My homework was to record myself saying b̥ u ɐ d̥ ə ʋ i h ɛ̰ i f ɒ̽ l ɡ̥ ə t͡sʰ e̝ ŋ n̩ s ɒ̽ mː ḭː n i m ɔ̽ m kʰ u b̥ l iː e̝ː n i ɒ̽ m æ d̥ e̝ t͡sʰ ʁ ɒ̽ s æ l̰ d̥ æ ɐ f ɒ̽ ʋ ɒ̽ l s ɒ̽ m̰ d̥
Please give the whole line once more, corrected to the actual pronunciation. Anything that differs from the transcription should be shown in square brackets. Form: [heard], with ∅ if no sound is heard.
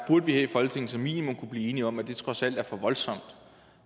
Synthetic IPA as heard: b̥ u ɐ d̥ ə ʋ i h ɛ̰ i f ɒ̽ l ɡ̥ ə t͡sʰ e̝ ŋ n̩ s ɒ̽ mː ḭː n i m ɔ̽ m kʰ u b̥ l iː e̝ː n i ɒ̽ m æ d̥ e̝ t͡sʰ ʁ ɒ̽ s æ l̰ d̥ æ ɐ f ɒ̽ ʋ ɒ̽ l s ɒ̽ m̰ d̥